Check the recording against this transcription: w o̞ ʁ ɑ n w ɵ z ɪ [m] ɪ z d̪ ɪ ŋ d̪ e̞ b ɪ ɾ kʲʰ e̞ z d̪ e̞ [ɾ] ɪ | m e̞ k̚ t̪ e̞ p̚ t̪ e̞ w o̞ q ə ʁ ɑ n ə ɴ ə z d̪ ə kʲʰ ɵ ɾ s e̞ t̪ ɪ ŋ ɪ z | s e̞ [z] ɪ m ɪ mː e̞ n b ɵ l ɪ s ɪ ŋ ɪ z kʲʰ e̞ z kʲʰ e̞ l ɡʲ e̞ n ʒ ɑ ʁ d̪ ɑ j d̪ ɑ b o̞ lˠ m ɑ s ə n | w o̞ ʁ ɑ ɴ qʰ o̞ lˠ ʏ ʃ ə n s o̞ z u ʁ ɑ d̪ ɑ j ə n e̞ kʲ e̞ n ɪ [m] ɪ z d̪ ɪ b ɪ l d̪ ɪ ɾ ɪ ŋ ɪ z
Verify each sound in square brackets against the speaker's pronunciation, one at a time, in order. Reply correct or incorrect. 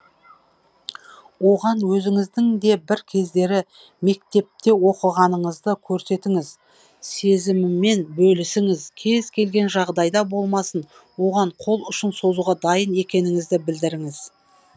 incorrect: ŋ, correct, correct, incorrect: ŋ

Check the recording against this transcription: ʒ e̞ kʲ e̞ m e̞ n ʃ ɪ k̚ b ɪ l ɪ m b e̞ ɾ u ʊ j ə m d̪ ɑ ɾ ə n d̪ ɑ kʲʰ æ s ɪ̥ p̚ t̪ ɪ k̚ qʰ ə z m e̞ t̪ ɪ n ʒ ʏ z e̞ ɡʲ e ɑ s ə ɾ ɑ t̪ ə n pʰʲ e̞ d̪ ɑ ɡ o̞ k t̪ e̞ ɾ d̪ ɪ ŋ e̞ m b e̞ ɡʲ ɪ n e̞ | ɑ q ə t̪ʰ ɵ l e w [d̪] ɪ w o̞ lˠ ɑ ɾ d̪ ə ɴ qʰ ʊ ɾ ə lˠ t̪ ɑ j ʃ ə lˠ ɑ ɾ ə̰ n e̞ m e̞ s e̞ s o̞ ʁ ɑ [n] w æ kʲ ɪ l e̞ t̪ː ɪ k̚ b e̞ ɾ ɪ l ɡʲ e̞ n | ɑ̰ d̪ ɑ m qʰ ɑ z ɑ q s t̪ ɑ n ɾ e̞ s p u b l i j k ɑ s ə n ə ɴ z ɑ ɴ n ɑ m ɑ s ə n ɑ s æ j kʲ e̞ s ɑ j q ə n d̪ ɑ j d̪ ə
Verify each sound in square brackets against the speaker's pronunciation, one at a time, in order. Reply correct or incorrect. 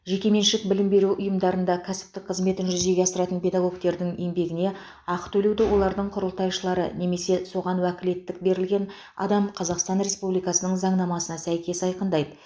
correct, correct

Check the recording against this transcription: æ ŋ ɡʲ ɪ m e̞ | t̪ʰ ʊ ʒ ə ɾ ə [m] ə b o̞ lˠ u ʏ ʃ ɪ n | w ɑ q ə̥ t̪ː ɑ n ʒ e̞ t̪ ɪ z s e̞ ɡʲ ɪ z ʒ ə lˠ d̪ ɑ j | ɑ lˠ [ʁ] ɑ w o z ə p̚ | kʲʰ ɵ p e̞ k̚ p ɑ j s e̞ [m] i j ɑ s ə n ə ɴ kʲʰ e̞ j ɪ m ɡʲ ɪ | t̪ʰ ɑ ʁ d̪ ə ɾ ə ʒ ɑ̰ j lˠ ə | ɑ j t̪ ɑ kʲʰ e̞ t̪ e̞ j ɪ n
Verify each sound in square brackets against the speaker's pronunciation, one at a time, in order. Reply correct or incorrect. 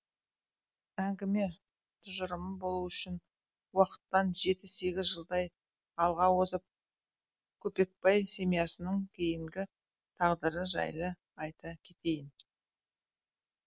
correct, correct, correct

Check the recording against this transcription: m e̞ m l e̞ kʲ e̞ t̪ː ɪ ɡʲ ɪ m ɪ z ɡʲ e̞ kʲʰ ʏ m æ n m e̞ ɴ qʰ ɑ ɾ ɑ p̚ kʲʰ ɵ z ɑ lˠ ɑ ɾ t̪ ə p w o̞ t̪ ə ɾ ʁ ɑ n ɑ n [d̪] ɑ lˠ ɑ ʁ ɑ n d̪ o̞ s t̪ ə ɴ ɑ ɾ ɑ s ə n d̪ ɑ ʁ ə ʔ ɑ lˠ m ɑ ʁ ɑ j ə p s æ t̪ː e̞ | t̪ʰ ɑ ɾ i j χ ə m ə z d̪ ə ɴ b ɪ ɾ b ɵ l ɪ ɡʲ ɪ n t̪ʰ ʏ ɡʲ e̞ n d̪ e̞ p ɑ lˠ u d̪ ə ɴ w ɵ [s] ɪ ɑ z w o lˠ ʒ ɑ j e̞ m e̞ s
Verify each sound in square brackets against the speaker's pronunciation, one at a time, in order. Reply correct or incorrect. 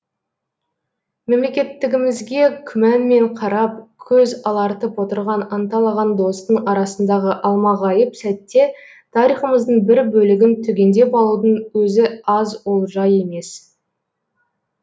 incorrect: t̪, incorrect: z

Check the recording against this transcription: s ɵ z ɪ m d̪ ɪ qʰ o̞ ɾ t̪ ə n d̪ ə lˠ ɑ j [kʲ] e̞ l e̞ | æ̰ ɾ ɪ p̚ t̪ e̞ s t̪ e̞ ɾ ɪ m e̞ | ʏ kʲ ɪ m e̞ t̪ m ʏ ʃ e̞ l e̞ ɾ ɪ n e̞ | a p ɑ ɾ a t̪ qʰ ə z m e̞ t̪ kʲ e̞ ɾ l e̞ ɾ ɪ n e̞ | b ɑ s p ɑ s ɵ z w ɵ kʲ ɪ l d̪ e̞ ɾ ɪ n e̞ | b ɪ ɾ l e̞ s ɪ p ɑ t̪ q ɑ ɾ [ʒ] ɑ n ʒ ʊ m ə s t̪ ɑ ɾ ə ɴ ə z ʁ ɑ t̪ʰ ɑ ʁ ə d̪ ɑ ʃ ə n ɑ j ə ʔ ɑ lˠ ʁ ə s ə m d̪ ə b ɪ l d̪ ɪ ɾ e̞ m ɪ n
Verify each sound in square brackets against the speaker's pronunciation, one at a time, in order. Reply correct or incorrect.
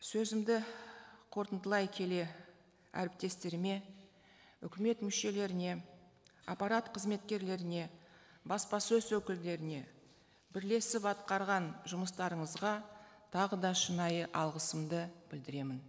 incorrect: kʲʰ, incorrect: ʁ

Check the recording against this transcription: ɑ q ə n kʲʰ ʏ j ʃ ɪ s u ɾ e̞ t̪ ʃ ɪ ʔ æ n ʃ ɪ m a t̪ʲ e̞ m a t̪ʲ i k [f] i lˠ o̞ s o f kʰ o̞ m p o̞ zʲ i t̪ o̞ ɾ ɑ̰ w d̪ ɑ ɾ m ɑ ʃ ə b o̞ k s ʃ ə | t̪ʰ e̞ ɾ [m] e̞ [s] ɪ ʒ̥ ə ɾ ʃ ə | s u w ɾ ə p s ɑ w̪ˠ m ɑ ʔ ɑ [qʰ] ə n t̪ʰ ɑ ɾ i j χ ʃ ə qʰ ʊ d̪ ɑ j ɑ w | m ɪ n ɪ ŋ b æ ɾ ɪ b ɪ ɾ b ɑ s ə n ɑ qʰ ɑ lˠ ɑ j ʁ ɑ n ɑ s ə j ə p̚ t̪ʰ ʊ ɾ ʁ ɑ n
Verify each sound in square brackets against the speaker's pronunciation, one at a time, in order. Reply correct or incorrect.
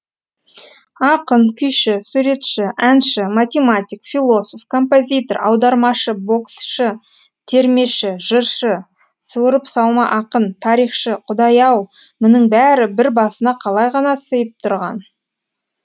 correct, correct, incorrect: ʃ, incorrect: q

